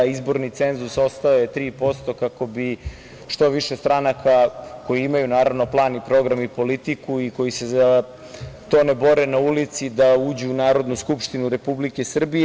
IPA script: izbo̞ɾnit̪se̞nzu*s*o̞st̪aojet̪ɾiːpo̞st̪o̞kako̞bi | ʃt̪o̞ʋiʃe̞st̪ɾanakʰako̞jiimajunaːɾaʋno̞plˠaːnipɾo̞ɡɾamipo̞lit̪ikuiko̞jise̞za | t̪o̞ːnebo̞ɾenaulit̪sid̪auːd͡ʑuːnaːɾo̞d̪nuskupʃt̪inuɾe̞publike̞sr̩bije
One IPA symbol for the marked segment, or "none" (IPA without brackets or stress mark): s